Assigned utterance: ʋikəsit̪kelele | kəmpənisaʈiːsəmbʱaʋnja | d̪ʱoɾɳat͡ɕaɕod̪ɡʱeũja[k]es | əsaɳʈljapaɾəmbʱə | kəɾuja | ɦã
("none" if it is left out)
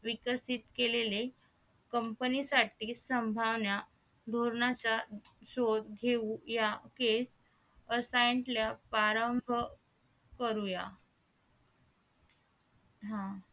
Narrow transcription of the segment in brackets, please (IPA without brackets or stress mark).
k